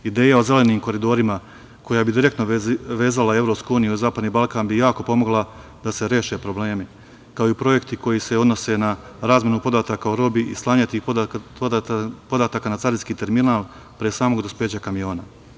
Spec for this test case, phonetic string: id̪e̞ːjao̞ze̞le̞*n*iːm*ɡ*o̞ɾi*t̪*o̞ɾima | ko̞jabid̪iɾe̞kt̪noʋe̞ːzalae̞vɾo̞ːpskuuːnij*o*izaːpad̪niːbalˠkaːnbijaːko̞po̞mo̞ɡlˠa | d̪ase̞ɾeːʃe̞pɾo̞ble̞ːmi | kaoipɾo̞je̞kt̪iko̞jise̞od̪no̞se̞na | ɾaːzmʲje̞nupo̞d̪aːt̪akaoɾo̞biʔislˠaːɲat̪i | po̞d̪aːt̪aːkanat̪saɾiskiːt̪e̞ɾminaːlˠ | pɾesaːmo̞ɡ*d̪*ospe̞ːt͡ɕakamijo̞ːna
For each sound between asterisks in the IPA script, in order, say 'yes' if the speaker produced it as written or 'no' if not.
yes, no, no, no, yes

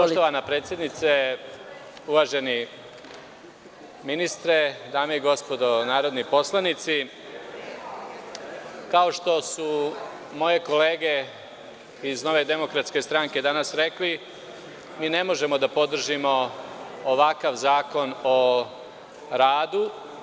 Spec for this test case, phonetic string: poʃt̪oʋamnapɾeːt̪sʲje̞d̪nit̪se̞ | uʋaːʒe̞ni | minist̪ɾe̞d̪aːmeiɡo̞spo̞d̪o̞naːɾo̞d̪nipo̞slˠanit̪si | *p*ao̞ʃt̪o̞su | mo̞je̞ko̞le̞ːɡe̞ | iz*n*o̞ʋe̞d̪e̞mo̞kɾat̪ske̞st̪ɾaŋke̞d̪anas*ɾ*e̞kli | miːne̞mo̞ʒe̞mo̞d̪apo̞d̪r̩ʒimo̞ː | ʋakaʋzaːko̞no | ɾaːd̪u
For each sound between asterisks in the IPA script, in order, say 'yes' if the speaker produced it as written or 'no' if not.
no, yes, yes

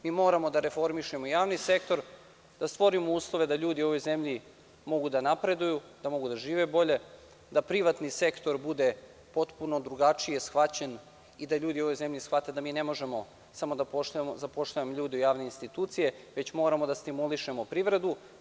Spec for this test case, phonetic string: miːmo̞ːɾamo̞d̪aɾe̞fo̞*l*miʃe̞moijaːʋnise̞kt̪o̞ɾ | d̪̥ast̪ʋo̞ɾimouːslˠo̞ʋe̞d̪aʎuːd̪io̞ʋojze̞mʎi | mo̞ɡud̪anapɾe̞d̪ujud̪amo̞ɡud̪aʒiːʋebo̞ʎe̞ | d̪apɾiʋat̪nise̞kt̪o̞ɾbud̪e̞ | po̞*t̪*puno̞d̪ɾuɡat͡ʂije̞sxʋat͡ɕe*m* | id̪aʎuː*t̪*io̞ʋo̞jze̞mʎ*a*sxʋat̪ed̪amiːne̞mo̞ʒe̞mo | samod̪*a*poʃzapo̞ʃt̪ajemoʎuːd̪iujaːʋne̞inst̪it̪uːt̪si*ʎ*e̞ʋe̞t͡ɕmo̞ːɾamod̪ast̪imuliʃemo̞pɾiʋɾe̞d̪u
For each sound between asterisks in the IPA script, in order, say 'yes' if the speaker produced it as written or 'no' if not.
no, yes, no, no, no, yes, no

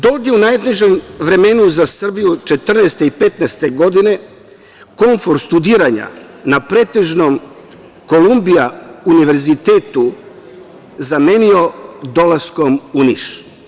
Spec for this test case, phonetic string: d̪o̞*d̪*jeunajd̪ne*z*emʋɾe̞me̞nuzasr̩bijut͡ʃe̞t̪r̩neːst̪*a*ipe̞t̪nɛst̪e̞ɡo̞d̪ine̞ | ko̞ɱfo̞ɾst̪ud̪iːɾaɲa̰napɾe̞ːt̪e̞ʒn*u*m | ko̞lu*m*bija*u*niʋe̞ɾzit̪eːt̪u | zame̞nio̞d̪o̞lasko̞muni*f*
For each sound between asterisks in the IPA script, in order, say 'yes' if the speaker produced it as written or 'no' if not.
yes, no, no, no, yes, yes, no

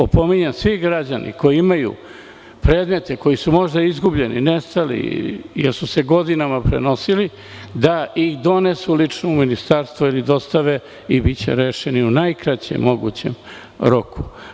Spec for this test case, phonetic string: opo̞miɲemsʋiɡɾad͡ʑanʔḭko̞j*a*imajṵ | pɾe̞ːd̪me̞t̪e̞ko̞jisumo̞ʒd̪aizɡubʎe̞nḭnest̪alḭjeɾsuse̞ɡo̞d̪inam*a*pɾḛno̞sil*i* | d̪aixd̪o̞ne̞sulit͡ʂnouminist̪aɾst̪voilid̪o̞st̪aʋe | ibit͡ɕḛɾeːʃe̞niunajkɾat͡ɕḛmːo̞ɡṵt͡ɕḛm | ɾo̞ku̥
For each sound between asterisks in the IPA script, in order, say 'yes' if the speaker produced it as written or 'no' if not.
no, yes, yes

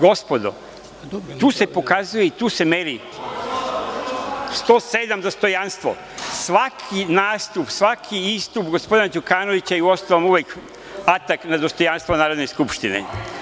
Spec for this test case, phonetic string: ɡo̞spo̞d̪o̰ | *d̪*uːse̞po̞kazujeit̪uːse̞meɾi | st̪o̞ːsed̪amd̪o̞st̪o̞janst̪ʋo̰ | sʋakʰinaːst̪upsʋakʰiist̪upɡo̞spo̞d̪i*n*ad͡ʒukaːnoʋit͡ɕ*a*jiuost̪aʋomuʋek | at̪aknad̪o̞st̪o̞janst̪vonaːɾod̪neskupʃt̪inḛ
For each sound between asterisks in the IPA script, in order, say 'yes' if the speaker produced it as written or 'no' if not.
no, yes, yes

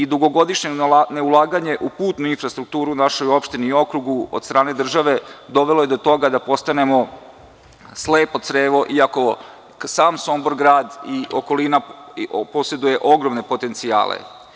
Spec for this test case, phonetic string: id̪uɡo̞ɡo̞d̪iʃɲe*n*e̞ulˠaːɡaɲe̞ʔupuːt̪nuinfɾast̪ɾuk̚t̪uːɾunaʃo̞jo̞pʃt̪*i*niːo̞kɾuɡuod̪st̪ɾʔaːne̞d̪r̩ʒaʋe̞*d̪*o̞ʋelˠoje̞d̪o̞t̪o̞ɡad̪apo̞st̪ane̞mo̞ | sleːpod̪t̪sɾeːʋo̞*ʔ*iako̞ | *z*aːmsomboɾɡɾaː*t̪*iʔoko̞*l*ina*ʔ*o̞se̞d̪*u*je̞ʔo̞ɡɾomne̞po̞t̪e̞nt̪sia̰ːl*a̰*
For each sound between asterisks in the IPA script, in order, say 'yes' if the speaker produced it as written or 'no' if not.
yes, yes, yes, yes, no, no, yes, no, yes, no

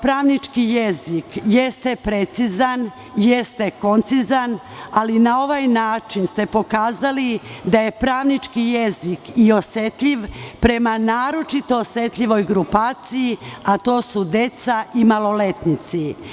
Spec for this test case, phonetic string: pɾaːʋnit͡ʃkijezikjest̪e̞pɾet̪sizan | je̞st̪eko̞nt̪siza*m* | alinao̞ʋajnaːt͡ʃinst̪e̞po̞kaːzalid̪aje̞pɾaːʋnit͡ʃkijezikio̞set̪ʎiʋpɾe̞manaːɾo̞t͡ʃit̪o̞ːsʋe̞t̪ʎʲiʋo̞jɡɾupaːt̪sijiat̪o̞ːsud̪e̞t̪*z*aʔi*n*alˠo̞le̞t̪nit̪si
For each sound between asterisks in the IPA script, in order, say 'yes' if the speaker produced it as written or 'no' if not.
no, no, no

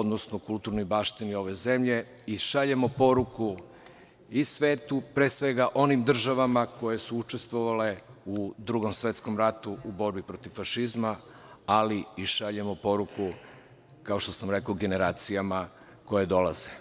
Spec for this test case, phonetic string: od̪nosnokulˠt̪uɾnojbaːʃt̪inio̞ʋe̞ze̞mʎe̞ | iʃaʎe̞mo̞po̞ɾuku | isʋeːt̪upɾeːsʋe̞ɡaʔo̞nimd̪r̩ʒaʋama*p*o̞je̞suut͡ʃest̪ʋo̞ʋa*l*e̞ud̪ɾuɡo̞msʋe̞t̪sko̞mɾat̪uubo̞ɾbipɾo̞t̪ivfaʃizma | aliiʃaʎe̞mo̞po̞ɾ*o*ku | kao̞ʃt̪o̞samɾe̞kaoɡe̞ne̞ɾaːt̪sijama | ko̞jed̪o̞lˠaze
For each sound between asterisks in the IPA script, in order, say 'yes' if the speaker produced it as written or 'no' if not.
no, yes, no

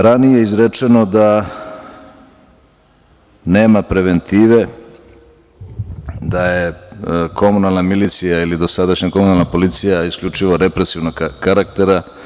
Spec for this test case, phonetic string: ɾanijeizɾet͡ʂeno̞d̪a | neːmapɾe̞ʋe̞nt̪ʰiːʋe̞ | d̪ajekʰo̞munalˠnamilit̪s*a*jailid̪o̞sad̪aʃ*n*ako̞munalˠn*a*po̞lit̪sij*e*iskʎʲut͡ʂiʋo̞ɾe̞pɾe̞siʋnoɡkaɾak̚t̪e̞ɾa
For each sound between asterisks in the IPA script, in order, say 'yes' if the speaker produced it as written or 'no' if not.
no, no, yes, no

